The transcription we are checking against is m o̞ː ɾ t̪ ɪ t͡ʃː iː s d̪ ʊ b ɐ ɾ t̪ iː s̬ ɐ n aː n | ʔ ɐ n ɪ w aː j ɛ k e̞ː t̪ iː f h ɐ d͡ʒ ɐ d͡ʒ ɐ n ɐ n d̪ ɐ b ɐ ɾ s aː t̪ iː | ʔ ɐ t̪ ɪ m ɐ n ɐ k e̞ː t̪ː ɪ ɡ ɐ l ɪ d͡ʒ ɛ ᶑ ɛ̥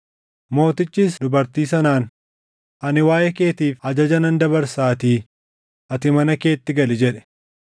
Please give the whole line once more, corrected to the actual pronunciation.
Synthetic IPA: m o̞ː t̪ ɪ t͡ʃː iː s d̪ ʊ b ɐ ɾ t̪ iː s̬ ɐ n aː n | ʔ ɐ n ɪ w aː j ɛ k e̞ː t̪ iː f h ɐ d͡ʒ ɐ d͡ʒ ɐ n ɐ n d̪ ɐ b ɐ ɾ s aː t̪ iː | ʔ ɐ t̪ ɪ m ɐ n ɐ k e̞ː t̪ː ɪ ɡ ɐ l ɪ d͡ʒ ɛ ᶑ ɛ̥